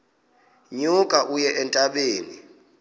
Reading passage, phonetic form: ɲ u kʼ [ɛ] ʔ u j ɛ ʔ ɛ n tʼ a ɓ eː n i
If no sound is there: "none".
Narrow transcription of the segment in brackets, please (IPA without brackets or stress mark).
a